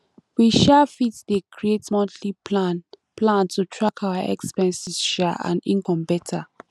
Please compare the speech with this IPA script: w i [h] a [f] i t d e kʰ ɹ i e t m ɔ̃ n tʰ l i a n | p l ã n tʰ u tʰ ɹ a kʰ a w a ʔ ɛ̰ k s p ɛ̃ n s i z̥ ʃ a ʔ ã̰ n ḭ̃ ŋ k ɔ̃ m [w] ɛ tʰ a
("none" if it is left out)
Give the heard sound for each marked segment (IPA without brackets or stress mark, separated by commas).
ʃ, f, b